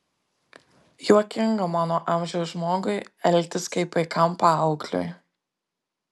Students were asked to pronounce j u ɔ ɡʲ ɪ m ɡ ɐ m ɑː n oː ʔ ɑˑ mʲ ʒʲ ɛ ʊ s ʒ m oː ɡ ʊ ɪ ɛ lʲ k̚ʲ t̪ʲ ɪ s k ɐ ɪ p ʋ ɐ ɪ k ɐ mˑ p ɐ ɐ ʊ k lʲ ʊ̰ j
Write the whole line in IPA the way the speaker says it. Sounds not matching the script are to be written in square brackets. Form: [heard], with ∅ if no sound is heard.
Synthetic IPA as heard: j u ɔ [kʲ] ɪ [ŋ] ɡ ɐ m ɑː n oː ʔ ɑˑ mʲ ʒʲ ɛ ʊ s ʒ m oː ɡ ʊ ɪ ɛ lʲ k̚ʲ t̪ʲ ɪ s k ɐ ɪ p ʋ ɐ ɪ k ɐ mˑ p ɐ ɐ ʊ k lʲ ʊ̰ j